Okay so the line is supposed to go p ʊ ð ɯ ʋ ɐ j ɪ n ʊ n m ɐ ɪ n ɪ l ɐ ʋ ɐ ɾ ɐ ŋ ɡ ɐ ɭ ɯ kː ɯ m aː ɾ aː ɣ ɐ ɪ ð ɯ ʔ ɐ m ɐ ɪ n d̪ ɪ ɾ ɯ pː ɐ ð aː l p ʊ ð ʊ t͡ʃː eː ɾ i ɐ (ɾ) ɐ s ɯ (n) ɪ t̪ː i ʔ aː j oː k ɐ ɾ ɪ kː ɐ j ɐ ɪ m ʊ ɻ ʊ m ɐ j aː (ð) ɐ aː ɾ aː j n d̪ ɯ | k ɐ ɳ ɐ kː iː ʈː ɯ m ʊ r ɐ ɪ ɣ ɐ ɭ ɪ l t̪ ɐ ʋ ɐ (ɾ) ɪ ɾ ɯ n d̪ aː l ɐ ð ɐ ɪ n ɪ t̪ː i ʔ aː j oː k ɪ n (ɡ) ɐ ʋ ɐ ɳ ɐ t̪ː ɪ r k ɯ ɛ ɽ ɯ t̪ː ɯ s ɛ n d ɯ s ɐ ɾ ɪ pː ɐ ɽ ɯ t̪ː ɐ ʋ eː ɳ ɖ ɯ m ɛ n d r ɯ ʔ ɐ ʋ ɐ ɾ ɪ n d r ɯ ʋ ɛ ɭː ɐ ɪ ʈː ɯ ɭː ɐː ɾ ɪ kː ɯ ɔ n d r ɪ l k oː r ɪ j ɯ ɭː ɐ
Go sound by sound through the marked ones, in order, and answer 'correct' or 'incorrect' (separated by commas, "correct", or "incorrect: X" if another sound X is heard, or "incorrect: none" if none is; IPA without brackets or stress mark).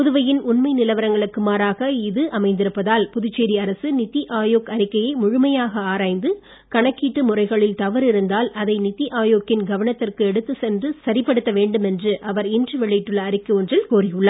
correct, correct, incorrect: ɣ, correct, correct